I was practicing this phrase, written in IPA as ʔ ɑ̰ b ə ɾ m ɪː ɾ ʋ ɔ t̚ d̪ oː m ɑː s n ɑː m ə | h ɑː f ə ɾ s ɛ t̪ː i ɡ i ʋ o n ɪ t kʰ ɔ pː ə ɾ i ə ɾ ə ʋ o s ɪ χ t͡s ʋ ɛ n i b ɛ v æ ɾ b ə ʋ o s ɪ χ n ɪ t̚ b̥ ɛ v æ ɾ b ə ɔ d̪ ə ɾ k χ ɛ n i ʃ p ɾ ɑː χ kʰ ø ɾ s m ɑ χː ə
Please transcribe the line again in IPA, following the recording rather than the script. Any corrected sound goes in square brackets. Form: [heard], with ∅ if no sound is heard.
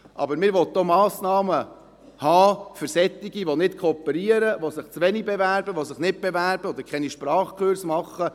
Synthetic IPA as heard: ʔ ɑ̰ b ə ɾ m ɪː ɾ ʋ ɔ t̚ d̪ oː m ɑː s n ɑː m ə | h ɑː f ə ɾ s ɛ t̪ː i ɡ i ʋ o n ɪ t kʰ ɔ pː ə ɾ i ə ɾ ə ʋ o s ɪ χ t͡s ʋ ɛ n i b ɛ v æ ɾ b ə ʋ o s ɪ χ n ɪ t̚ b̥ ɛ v æ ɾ b ə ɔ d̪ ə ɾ k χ ɛ n i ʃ p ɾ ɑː χ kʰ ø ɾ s m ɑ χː ə